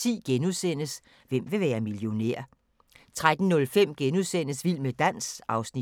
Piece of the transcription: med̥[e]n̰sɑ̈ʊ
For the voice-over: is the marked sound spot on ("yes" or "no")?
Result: no